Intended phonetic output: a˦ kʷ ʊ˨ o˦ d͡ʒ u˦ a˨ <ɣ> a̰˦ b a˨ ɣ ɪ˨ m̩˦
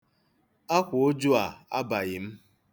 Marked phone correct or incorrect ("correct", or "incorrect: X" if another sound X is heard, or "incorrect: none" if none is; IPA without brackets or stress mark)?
incorrect: none